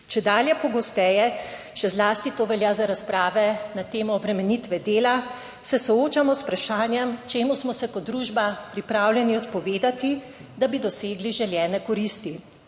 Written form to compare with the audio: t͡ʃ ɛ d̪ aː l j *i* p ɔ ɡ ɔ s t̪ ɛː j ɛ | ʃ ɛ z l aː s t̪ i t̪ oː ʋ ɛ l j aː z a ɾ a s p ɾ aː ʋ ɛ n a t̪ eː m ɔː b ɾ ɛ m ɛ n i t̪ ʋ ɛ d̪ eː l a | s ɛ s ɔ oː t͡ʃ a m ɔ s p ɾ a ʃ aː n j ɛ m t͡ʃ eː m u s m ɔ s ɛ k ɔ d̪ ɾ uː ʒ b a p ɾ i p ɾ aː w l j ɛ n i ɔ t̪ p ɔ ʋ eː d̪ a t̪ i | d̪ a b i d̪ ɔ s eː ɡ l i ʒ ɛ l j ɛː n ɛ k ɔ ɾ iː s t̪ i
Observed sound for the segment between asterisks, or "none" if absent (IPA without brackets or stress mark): ɛ